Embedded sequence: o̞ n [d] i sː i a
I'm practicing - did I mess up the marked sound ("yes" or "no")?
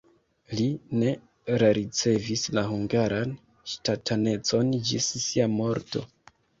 yes